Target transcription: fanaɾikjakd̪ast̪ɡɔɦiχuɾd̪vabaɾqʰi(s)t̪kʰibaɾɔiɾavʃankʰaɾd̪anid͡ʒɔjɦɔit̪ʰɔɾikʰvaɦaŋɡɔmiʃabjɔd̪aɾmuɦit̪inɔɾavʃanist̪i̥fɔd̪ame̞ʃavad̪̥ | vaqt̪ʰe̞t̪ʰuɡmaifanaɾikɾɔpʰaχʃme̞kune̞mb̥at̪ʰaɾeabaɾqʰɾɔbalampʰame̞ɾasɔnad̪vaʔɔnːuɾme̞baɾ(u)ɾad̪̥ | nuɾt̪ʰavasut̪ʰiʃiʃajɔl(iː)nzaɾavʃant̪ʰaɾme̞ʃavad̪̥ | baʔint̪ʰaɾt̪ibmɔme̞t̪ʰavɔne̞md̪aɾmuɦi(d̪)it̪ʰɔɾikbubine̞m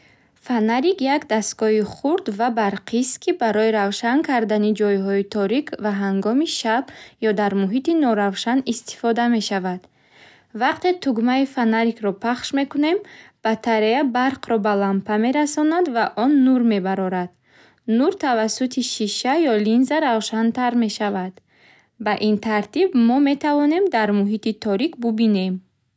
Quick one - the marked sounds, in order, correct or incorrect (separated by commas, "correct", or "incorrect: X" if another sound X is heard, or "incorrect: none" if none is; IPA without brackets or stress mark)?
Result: correct, incorrect: ɔ, incorrect: i, incorrect: t̪